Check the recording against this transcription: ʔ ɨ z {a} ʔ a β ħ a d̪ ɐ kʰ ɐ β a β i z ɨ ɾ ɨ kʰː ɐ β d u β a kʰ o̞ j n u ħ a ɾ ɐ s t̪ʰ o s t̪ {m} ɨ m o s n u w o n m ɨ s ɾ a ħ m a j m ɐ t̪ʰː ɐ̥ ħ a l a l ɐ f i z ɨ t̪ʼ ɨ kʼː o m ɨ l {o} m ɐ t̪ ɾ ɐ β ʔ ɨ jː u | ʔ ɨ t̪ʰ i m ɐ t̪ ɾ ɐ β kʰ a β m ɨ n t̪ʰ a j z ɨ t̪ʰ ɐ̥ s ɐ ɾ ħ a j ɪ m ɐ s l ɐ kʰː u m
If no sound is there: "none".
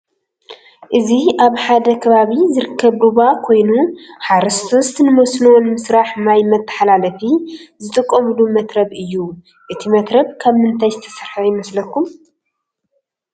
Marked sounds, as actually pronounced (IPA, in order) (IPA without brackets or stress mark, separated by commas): i, n, u